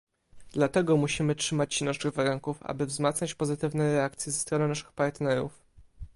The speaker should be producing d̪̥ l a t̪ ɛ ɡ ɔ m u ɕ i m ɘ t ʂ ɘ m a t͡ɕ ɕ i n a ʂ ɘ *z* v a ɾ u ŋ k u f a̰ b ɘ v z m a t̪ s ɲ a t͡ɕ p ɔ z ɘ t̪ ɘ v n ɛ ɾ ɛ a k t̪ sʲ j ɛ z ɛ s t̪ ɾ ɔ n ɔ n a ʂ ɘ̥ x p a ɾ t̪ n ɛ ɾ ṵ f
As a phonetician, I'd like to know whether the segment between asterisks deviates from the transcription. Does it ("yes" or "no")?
yes